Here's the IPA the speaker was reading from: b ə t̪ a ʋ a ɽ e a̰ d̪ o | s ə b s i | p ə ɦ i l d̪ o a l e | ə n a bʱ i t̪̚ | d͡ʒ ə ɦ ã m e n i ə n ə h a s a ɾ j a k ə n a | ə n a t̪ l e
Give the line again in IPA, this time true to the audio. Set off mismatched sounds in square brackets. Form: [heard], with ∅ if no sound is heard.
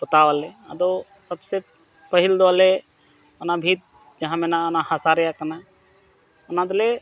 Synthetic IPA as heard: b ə t̪ a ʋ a [l] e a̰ d̪ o | s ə b s [e] | p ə ɦ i l d̪ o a l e | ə n a bʱ i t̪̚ | d͡ʒ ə ɦ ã m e n [a] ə n [a] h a s a ɾ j a k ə n a | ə n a [d̪] l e